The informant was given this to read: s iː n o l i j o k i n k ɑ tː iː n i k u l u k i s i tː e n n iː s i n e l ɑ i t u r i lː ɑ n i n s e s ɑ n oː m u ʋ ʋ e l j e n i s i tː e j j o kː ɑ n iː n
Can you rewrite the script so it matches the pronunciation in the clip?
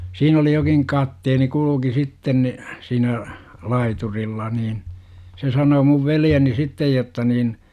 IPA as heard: s iː n o l i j o k i ŋ k ɑ tː eː n i k u l u k i s i tː e n n i s iː n æ l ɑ i t u r i lː ɑ n iː n s e s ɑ n oː m u ʋ ʋ e l j e n i s i tː e j j o tː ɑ n iː n